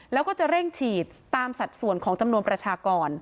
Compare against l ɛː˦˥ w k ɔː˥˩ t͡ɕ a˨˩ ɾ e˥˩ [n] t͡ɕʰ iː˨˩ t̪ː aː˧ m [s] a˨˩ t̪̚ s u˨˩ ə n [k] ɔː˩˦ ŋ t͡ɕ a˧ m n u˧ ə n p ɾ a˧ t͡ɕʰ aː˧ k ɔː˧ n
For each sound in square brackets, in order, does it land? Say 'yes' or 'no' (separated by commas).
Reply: no, yes, no